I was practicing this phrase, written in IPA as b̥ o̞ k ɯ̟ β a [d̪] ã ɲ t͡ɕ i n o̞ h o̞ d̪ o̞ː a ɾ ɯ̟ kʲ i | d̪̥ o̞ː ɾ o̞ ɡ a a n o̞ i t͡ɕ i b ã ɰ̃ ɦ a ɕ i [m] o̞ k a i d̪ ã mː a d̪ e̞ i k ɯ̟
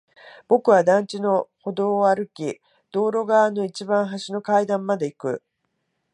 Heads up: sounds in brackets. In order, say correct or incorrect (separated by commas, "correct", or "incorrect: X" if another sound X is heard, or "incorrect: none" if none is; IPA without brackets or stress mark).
correct, incorrect: n